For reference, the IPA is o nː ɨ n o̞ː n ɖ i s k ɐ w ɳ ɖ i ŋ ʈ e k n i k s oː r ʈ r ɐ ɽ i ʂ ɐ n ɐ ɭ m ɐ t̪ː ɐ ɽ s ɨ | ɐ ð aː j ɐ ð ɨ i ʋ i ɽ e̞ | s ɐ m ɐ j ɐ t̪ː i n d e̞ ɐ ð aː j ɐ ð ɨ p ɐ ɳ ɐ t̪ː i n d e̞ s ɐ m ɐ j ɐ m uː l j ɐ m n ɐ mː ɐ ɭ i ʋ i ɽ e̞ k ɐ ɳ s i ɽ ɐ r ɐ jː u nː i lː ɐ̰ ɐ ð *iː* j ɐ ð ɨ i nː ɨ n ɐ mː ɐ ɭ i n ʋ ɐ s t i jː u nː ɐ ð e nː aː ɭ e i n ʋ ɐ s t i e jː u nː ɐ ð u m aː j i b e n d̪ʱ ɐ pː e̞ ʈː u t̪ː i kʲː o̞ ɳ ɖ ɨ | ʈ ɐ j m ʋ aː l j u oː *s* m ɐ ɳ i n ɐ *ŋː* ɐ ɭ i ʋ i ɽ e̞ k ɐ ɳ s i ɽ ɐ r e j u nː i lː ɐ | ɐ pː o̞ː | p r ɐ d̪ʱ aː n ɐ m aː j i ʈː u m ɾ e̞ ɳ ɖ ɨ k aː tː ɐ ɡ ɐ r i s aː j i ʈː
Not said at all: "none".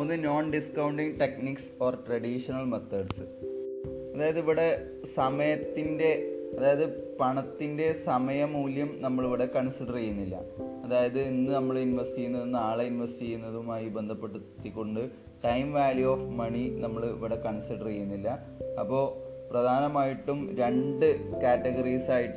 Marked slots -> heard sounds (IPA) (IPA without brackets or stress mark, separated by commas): aː, f, mː